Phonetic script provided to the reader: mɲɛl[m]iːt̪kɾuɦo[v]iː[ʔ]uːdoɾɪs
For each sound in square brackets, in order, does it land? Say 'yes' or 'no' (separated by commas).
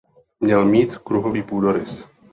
yes, yes, no